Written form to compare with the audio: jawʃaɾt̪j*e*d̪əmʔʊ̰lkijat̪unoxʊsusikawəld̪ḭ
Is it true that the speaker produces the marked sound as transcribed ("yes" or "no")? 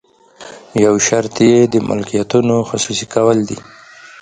yes